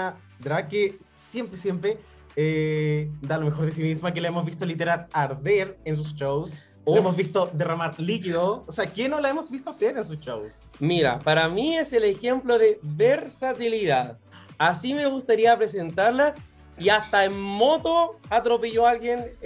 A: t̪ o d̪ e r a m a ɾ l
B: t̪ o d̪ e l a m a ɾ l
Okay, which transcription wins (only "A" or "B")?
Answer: A